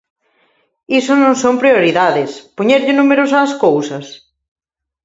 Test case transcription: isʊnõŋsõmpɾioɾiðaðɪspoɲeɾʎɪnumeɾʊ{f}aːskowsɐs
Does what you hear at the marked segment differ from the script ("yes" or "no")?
yes